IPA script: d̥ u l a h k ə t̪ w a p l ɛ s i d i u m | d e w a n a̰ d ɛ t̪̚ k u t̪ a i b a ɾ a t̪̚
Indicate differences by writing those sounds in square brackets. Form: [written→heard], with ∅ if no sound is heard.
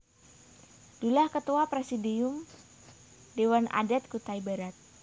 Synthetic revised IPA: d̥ u l a h k ə t̪ [w→u] a p [l→ɾ] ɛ s i d i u m | d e w a n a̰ d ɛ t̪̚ k u t̪ a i b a ɾ a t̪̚